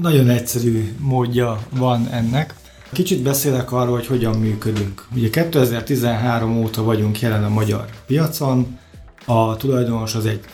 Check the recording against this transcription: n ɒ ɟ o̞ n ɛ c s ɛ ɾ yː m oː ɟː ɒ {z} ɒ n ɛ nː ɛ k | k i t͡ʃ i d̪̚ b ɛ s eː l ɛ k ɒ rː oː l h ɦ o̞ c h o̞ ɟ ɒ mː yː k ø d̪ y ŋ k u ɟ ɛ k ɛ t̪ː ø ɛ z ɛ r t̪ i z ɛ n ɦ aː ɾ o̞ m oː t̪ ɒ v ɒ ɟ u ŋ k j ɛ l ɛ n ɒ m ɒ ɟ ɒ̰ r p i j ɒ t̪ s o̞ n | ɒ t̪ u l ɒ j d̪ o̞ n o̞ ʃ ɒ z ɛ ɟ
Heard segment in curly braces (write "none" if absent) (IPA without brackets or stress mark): v